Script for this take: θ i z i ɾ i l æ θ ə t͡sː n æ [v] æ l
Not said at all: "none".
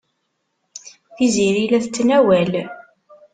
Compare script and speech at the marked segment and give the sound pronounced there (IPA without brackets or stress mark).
w